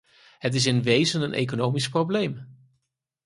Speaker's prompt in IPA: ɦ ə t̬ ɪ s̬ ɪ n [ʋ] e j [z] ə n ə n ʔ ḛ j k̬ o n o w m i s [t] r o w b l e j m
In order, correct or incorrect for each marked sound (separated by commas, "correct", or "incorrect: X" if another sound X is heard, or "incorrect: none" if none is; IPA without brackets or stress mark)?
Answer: correct, correct, incorrect: p